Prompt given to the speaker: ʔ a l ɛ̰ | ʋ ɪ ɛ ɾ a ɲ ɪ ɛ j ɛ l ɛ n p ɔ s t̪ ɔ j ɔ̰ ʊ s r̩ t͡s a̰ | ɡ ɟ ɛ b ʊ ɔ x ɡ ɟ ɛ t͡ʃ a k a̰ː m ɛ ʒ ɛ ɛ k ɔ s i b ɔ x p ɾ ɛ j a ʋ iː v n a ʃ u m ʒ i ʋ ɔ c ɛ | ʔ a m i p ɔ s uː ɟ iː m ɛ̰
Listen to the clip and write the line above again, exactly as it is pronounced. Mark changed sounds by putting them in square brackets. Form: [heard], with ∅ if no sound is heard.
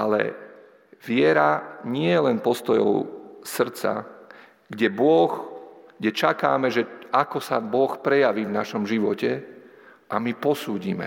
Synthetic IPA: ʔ a l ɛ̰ | ʋ ɪ ɛ ɾ a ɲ ɪ ɛ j ɛ l ɛ n p ɔ s t̪ ɔ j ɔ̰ ʊ s r̩ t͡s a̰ | ɡ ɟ ɛ b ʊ ɔ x ɡ ɟ ɛ t͡ʃ a k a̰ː m ɛ ʒ ɛ [a] k ɔ s [a] b ɔ x p ɾ ɛ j a ʋ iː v n a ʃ [ɔ] m ʒ i ʋ ɔ c ɛ | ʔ a m i p ɔ s uː ɟ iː m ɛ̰